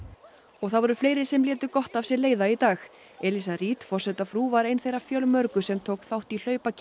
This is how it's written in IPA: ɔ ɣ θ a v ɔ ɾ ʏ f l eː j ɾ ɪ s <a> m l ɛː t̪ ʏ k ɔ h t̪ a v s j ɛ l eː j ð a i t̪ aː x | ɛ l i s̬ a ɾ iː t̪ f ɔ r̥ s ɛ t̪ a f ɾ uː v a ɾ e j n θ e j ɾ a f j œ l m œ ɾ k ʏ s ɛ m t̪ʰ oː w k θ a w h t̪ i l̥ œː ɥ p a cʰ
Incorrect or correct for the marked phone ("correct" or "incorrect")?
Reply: incorrect